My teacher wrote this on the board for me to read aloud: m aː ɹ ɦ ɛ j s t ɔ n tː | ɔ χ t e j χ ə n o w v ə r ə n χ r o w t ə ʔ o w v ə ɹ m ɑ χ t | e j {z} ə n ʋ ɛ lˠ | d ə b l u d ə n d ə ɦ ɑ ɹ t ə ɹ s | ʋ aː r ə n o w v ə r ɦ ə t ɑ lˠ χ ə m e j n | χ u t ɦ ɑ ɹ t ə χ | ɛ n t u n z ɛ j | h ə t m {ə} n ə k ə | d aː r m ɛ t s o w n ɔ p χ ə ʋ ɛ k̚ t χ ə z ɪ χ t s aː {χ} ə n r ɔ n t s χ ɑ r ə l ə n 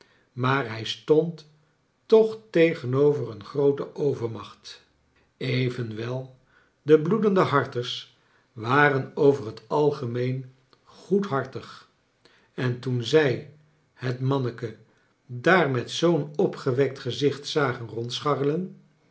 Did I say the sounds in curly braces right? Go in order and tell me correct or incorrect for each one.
incorrect: v, incorrect: ɑ, correct

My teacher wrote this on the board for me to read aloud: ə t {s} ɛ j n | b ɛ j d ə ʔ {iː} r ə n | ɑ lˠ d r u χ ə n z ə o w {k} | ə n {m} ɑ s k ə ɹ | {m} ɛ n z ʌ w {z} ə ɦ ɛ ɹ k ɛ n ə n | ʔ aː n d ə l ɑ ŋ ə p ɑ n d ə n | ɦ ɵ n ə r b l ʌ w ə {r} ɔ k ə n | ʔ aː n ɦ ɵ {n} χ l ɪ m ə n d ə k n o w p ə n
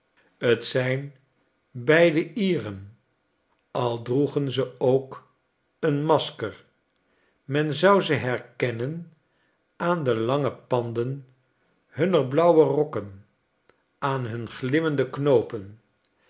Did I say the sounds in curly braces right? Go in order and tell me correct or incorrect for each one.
correct, correct, correct, correct, correct, correct, correct, correct

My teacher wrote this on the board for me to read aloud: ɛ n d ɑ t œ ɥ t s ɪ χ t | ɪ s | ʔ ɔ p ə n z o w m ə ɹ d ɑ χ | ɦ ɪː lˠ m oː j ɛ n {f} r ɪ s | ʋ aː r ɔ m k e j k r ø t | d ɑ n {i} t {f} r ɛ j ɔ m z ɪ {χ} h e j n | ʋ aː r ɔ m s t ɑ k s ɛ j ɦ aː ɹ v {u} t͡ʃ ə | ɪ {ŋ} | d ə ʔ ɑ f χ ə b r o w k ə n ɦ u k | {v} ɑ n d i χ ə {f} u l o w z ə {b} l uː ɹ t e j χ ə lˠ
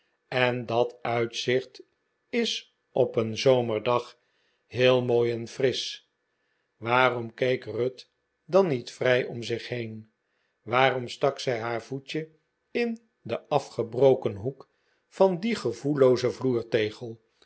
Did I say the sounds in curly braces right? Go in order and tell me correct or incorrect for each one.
correct, correct, correct, correct, correct, incorrect: n, incorrect: f, incorrect: v, incorrect: v

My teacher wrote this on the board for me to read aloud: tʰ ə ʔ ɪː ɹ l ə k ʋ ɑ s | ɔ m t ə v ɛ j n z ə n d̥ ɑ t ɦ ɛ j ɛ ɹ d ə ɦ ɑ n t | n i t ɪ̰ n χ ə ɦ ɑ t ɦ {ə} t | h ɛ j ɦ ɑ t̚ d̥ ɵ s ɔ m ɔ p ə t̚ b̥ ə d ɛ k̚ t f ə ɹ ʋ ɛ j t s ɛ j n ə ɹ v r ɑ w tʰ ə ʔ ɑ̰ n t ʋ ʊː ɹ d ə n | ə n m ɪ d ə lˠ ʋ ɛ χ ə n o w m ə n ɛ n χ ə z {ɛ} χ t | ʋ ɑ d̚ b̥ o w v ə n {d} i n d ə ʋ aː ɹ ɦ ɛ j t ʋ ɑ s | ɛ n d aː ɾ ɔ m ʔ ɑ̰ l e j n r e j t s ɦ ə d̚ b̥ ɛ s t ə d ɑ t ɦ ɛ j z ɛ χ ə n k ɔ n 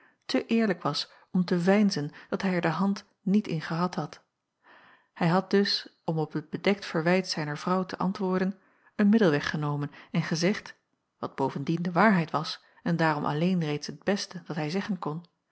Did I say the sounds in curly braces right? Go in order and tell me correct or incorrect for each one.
incorrect: ɑ, correct, correct

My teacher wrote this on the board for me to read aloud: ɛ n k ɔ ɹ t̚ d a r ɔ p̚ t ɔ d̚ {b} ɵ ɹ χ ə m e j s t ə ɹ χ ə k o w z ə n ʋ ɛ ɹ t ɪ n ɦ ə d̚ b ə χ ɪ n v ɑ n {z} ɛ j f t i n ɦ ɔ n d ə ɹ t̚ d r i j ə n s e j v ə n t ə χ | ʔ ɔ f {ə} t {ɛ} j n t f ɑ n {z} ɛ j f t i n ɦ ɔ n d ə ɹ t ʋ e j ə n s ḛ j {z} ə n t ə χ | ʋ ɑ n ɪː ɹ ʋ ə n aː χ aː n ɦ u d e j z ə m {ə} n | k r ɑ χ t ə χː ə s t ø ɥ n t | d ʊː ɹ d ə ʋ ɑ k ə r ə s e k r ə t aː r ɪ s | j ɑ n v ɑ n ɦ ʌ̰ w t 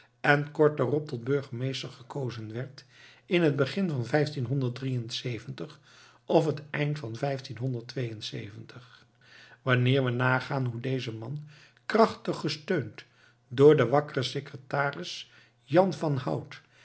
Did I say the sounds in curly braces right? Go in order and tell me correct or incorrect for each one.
correct, incorrect: v, correct, correct, incorrect: v, incorrect: v, incorrect: ɑ

